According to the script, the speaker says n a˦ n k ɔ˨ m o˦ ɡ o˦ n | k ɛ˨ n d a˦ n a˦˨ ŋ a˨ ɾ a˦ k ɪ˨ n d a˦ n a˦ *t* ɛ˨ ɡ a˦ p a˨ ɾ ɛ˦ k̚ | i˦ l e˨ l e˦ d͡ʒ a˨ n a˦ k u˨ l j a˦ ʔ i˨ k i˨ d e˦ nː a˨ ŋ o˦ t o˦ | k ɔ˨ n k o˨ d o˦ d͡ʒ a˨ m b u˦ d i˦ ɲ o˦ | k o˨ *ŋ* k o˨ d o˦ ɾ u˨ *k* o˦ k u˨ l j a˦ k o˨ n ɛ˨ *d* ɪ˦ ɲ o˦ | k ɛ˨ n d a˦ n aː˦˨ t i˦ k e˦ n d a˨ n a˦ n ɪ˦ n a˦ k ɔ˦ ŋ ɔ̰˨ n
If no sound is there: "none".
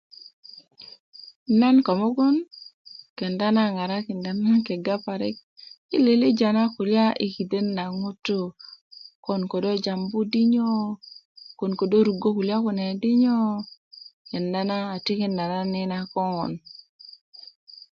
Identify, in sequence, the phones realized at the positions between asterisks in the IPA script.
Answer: k, n, ɡ, d

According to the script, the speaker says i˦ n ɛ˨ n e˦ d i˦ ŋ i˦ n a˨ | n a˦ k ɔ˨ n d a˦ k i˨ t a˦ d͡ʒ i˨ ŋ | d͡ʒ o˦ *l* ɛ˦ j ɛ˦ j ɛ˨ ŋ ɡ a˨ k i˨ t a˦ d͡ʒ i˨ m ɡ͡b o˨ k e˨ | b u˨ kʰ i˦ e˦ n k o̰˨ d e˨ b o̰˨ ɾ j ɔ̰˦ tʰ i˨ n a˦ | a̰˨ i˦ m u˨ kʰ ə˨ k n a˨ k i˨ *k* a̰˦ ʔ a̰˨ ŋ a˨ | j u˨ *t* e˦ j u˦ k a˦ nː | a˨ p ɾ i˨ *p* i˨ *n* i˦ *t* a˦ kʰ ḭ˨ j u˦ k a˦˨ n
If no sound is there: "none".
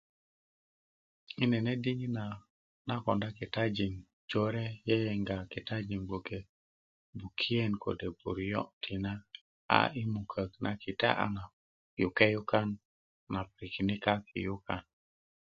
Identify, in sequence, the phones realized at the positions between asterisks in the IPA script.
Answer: ɾ, t, k, k, n, k

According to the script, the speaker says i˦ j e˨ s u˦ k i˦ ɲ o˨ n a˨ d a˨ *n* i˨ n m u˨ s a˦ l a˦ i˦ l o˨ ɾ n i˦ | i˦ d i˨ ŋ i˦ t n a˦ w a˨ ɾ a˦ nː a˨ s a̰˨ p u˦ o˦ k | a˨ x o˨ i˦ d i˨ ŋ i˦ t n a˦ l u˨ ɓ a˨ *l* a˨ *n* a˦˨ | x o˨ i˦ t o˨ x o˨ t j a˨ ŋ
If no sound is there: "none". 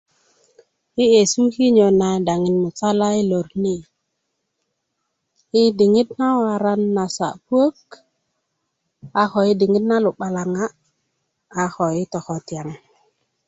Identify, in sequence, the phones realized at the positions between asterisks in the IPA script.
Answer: ŋ, l, ŋ

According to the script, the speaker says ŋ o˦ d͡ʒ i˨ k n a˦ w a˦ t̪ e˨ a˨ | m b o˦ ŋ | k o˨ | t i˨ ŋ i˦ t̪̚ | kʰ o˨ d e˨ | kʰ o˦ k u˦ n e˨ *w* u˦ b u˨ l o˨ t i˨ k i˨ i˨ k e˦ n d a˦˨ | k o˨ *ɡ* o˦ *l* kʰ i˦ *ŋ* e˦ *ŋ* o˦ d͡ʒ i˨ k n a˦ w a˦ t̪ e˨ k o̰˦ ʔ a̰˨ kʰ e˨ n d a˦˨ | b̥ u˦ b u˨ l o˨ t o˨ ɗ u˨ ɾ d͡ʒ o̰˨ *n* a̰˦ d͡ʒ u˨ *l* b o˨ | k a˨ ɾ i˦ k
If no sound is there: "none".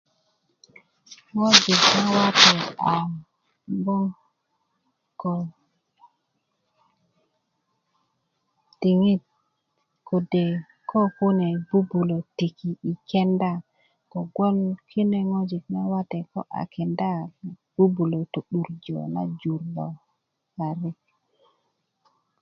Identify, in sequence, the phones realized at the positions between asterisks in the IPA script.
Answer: b, ɡ, l, n, ŋ, n, ɾ

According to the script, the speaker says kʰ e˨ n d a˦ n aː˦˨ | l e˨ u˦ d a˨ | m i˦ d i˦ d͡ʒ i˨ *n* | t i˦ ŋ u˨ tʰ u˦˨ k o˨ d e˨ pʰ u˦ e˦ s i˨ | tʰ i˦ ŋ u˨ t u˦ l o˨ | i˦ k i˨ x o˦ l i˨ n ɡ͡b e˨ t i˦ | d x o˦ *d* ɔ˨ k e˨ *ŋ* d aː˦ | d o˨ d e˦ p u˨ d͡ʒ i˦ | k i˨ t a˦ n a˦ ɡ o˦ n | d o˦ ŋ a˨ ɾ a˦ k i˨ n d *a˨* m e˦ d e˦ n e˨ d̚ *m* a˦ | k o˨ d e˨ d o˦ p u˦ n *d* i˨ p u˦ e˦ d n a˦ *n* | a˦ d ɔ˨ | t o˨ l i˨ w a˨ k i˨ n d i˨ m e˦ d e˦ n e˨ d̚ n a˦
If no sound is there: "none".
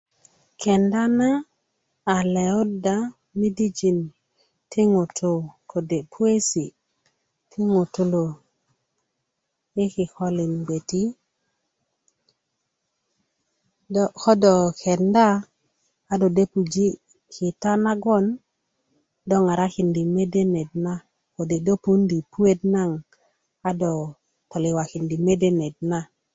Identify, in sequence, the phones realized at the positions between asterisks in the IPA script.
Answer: n, d, n, i˨, n, d, ŋ

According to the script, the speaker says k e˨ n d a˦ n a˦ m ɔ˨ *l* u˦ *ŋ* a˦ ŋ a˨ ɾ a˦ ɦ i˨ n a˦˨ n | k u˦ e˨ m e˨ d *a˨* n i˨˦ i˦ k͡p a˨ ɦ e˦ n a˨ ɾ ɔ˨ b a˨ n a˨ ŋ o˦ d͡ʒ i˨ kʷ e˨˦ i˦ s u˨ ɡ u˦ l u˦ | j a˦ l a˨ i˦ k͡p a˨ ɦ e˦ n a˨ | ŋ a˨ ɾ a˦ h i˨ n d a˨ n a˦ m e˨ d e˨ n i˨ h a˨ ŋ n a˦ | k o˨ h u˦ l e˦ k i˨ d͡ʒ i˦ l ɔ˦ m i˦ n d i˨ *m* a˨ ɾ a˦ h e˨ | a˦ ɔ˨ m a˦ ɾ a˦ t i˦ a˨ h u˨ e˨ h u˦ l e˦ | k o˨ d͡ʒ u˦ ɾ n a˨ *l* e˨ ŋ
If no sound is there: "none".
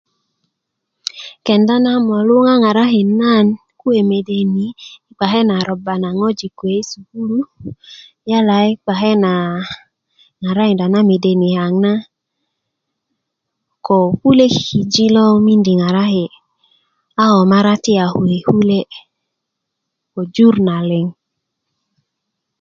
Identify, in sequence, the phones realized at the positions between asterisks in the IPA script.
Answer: l, ŋ, e˨, ŋ, l

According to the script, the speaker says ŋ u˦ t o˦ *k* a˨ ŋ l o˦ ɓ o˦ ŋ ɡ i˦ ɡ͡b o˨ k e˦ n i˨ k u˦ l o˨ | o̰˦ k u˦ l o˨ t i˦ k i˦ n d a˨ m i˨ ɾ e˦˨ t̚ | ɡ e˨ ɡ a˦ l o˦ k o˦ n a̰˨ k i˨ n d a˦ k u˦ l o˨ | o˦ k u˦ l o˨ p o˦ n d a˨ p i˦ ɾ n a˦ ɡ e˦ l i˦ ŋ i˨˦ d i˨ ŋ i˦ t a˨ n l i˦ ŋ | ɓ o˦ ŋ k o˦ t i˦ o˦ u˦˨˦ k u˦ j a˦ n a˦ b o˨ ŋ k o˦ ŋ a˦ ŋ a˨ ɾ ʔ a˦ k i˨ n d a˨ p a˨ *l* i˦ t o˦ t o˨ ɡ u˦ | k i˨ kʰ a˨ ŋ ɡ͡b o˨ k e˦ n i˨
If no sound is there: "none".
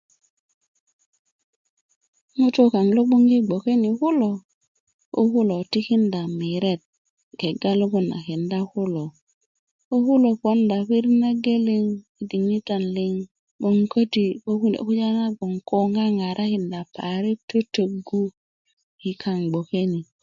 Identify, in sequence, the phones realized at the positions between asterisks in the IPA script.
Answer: k, ɾ

